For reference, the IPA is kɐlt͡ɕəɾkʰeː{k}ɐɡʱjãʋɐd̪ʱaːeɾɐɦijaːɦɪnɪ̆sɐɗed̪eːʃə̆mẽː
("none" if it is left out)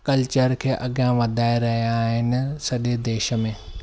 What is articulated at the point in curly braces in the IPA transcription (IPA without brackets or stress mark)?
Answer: ʔ